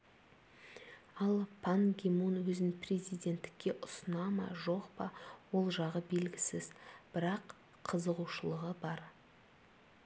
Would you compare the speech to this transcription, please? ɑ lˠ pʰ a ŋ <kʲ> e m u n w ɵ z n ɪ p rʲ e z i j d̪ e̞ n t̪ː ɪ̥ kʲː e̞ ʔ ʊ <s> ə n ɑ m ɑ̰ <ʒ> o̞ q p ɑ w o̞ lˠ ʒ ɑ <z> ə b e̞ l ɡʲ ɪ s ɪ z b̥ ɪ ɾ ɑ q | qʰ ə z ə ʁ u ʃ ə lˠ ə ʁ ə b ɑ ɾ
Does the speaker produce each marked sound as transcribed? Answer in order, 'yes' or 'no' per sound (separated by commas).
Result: no, yes, yes, no